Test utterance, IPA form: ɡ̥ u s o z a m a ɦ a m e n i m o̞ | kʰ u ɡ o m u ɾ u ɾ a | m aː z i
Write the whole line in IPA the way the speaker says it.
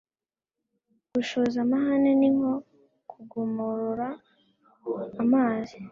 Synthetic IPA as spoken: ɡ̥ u ʃ o z a m a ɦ a n e n i ŋ o̞ | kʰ u ɡ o m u ɾ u ɾ a | m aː z i